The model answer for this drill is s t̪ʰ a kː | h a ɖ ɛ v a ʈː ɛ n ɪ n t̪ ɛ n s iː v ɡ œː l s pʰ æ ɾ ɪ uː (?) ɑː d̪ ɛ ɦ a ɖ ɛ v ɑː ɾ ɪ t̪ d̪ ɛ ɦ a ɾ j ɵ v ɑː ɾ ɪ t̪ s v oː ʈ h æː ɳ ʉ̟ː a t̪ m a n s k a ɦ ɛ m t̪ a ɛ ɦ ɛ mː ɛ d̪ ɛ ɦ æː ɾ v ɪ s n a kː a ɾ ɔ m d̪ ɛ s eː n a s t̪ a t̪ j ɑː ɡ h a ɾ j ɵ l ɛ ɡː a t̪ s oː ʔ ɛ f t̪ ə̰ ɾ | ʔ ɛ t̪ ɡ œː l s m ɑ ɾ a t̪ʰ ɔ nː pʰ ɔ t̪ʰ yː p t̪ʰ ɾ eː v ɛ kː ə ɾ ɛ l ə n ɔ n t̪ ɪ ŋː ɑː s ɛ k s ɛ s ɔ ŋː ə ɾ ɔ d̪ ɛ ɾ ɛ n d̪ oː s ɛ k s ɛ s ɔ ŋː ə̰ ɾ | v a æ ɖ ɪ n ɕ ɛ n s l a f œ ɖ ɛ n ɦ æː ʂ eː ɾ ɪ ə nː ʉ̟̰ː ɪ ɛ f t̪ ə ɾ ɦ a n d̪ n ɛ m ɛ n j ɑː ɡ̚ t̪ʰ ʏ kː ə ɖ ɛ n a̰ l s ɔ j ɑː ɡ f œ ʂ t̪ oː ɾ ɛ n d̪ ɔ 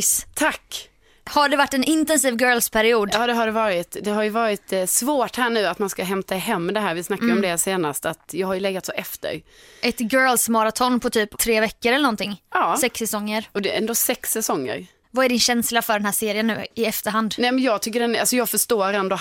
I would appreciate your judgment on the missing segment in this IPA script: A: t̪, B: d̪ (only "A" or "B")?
B